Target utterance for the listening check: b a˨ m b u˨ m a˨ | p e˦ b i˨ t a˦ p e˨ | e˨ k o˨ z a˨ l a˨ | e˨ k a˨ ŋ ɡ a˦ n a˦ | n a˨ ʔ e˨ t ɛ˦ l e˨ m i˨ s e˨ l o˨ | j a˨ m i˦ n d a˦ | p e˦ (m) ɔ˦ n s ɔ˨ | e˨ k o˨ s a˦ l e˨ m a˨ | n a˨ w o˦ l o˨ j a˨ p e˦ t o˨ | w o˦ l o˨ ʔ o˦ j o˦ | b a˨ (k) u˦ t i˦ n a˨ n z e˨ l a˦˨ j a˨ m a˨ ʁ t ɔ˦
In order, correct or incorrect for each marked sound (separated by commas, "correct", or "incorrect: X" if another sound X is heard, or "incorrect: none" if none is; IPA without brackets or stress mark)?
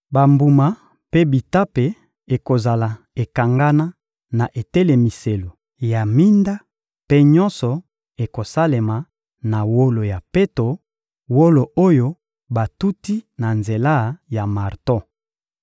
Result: incorrect: ɲ, incorrect: t